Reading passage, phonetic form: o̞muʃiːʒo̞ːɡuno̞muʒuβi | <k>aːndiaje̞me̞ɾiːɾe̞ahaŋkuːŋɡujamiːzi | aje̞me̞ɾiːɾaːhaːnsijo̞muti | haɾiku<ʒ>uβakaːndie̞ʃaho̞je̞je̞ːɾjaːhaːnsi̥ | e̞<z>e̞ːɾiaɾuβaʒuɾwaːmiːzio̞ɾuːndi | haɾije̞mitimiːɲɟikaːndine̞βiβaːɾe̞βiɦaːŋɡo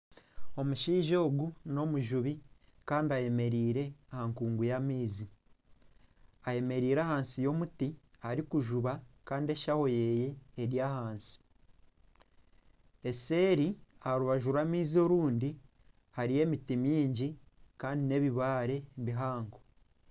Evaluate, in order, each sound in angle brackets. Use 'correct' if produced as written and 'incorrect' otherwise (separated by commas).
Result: correct, correct, incorrect